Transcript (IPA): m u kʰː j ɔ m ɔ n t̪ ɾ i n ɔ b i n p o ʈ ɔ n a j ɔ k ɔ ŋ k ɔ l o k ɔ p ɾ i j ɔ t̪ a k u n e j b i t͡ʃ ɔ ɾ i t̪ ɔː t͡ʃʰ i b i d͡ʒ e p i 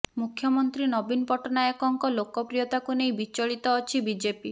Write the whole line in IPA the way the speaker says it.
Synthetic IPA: m u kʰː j ɔ m ɔ n t̪ ɾ i n ɔ b i n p ɔ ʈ ɔ n a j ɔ k ɔ ŋ k ɔ l o k ɔ p ɾ i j ɔ t̪ a k u n e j b i t͡ʃ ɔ ɭ i t̪ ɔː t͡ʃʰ i b i d͡ʒ e p i